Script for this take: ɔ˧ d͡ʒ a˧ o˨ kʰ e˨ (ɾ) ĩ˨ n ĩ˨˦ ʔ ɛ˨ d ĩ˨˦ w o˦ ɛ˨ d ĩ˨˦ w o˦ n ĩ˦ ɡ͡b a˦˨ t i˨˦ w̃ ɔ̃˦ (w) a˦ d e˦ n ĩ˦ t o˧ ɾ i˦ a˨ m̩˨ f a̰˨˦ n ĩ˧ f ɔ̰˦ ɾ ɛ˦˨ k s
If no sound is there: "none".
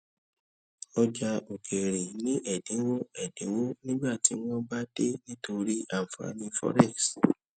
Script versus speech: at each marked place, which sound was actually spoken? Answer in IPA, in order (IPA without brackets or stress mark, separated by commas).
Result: ɾ, b